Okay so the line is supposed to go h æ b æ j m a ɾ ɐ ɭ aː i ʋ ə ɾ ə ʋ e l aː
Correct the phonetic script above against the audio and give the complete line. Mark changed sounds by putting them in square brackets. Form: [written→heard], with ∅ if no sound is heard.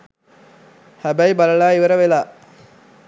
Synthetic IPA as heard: h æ b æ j [m→b] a [ɾ→l] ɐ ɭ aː i ʋ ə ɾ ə ʋ e l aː